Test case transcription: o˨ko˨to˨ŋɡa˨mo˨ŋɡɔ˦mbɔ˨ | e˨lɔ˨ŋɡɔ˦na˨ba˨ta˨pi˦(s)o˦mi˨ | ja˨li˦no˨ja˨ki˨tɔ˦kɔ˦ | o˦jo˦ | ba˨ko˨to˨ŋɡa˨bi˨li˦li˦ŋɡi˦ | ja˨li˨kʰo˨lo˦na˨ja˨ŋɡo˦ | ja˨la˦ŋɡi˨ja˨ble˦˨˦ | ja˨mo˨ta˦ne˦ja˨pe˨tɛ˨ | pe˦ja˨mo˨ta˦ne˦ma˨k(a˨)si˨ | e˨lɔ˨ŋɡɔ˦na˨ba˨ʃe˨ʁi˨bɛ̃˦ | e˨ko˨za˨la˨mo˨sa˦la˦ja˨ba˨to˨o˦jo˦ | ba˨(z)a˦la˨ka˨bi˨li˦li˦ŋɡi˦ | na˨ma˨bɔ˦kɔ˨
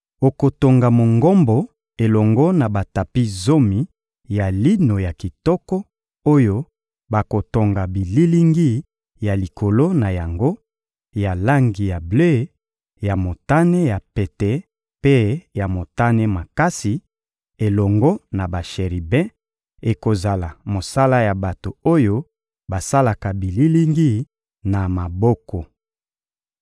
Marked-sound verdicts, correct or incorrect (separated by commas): incorrect, incorrect, incorrect